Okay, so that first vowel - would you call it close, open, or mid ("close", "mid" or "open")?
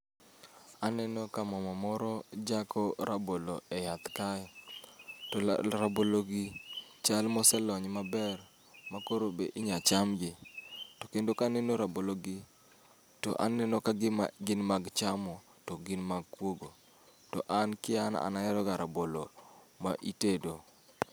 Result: open